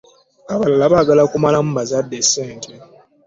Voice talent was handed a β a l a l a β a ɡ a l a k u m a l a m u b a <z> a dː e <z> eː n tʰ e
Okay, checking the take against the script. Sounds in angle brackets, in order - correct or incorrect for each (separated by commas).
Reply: correct, incorrect